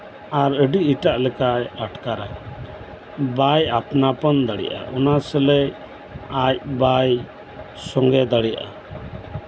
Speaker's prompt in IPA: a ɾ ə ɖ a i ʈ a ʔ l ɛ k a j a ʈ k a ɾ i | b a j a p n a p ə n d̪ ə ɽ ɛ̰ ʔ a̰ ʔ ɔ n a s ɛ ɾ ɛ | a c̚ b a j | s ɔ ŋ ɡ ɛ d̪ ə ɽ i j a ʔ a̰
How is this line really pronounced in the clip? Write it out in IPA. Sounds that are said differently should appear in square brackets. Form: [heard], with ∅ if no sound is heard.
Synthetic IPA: a ɾ ə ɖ [i] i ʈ a ʔ l ɛ k a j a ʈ k a ɾ [a] | b a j a p n a p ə n d̪ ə ɽ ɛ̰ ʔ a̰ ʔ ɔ n a s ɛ [l] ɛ | a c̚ b a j | s ɔ ŋ ɡ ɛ d̪ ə ɽ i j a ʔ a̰